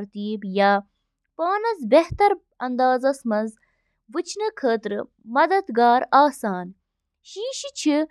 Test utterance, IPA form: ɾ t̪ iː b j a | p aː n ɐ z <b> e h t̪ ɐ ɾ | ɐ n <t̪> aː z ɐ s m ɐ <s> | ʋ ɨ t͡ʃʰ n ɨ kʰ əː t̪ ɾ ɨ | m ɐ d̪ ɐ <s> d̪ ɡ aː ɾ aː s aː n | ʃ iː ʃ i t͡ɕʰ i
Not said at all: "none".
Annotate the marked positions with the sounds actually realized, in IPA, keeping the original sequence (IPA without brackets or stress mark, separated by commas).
b, d̪, z, none